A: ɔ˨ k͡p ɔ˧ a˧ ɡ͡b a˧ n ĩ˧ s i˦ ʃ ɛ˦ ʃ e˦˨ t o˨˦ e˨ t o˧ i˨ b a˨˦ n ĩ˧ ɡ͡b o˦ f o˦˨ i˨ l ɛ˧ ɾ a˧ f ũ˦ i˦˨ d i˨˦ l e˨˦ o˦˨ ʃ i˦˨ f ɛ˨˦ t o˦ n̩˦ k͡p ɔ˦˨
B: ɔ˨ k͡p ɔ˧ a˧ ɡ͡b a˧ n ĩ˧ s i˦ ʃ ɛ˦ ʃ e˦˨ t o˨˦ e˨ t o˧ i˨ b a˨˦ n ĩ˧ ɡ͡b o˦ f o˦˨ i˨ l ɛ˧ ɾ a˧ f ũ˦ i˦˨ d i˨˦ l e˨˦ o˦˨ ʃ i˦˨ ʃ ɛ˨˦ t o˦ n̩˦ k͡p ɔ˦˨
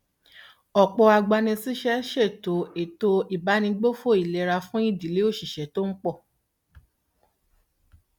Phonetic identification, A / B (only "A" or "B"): B